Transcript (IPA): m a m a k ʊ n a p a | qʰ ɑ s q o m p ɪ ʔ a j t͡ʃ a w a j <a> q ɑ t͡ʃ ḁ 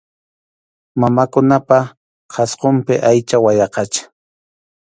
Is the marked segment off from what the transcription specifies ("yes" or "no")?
yes